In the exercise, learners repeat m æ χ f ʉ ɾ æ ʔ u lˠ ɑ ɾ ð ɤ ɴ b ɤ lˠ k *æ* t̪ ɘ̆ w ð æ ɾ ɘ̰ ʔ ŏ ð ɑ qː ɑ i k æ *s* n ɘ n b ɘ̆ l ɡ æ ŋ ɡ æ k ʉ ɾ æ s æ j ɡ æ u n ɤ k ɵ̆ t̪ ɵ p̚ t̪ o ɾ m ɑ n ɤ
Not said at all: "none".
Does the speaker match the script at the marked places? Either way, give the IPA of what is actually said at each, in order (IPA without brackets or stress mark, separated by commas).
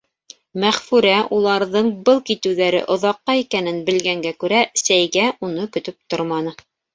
i, none